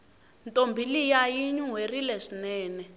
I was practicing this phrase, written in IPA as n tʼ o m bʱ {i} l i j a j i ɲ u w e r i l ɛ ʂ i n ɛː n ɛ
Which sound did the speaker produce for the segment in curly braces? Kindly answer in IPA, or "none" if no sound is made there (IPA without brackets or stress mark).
i